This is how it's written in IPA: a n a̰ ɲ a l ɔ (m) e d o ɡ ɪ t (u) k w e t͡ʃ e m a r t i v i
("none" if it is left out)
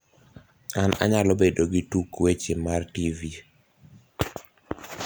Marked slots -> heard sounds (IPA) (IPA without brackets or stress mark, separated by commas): b, u